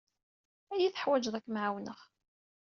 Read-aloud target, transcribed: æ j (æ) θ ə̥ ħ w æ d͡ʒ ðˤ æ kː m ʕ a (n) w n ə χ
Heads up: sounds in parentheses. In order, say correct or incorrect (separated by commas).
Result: incorrect, incorrect